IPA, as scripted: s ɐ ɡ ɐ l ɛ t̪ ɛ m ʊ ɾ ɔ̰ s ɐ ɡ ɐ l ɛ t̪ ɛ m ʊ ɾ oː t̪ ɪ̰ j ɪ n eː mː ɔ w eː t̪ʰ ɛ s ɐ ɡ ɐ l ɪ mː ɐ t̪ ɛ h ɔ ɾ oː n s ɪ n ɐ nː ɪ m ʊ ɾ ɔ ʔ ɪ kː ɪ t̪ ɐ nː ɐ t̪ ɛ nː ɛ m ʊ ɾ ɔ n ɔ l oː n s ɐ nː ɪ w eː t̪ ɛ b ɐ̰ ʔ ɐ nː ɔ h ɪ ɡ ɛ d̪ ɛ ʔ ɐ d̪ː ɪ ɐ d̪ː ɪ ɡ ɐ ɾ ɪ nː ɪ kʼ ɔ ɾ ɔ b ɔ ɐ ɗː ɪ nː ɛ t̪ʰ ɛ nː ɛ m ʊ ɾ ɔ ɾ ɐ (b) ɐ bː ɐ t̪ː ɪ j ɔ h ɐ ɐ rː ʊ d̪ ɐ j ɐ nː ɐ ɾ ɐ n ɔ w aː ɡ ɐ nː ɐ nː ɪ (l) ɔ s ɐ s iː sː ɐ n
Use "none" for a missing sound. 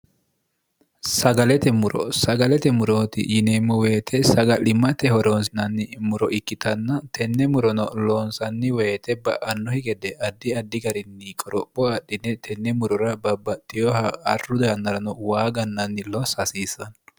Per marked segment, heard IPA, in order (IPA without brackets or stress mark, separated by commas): b, l